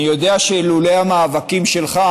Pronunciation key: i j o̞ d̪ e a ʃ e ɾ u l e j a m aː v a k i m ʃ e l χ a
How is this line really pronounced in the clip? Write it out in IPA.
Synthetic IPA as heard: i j o̞ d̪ e a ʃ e l u l e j a m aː v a k i m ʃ e l χ a